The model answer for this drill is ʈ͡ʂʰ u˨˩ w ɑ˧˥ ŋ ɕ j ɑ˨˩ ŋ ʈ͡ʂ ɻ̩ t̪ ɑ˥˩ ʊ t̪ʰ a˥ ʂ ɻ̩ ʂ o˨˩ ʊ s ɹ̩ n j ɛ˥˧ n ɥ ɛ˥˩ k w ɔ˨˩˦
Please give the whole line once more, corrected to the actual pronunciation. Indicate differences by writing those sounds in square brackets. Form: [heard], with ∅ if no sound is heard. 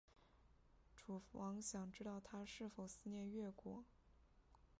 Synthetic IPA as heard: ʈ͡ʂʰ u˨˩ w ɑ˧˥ ŋ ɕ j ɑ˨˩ ŋ ʈ͡ʂ ɻ̩ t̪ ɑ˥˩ ʊ t̪ʰ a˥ ʂ ɻ̩ [f] o˨˩ ʊ s ɹ̩ n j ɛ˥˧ n ɥ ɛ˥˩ k w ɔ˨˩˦